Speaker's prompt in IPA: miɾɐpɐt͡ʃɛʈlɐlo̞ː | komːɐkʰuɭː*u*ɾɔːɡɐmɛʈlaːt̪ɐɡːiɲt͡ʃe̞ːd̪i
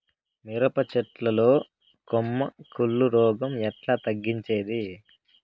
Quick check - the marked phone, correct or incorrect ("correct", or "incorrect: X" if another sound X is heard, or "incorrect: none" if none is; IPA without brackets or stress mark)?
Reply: correct